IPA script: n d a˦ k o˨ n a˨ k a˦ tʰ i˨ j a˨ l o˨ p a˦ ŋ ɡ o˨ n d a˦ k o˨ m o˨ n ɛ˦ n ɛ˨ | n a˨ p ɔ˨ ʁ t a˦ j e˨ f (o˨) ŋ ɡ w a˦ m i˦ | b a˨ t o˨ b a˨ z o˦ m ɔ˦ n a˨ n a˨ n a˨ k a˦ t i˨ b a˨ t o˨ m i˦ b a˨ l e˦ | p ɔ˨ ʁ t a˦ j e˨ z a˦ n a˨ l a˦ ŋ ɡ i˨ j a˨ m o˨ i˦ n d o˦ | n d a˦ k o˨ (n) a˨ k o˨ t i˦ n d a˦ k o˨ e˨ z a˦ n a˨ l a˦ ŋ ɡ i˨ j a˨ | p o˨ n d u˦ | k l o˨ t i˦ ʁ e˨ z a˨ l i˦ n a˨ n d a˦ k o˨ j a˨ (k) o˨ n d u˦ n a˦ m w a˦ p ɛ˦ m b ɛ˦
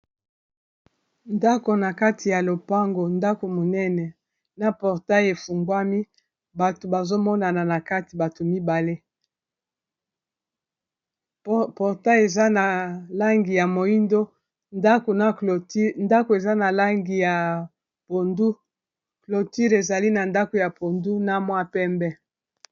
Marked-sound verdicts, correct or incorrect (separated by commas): incorrect, correct, incorrect